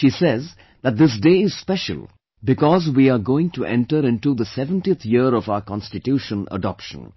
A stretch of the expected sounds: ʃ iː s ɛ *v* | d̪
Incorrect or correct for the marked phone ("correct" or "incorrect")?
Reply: incorrect